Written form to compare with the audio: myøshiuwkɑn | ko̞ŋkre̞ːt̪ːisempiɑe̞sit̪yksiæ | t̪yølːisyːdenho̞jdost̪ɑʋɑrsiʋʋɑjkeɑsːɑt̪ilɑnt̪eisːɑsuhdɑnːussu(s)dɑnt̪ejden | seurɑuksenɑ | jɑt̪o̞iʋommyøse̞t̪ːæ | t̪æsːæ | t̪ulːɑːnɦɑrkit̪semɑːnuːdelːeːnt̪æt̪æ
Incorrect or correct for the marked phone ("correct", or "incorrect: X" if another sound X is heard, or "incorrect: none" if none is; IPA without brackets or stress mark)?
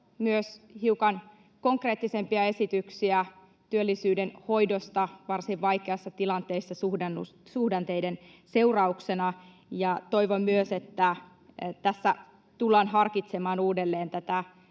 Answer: incorrect: h